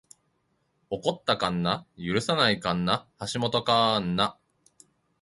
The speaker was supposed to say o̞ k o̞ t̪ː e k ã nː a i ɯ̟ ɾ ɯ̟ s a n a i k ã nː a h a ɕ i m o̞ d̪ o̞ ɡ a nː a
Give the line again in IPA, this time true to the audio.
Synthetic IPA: o̞ k o̞ t̪ː a k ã nː a j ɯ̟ ɾ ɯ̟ s a n a i k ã nː a h a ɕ i m o̞ t̪ o̞ k a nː a